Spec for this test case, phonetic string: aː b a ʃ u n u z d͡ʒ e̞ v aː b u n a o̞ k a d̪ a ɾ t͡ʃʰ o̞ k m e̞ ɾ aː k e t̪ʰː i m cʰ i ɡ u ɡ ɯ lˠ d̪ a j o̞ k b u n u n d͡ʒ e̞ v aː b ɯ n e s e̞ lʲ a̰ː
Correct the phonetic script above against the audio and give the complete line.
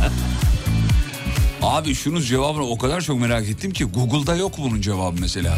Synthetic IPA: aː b i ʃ u n u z d͡ʒ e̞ v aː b ɯ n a o̞ k a d̪ a ɾ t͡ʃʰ o̞ k m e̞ ɾ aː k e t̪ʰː i m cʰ i ɡ u ɡ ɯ lˠ d̪ a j o̞ k b u n u n d͡ʒ e̞ v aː b ɯ m e s e̞ lʲ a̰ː